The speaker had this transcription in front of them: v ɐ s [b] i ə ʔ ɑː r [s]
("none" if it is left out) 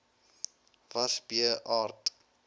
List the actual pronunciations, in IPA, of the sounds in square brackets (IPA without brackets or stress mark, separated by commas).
b, t